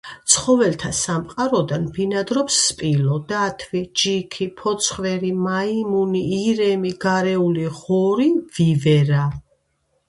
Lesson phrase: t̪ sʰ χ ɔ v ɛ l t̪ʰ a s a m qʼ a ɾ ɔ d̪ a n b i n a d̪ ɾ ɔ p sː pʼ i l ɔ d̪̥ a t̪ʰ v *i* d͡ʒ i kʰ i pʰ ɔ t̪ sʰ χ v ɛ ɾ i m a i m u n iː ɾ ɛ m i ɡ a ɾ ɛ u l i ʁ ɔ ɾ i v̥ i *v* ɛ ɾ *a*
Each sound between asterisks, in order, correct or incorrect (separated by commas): correct, correct, correct